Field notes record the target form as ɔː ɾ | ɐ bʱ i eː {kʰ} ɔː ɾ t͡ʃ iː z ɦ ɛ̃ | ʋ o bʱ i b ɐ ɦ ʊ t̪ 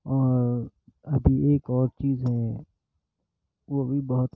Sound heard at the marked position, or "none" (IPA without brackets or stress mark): k